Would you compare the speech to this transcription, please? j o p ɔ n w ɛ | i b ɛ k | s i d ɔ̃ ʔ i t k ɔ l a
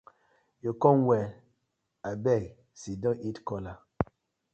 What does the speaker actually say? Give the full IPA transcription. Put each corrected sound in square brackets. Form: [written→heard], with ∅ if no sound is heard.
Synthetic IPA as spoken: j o [p→k] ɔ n w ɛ | [i→a] b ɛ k | s i d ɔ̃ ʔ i t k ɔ l a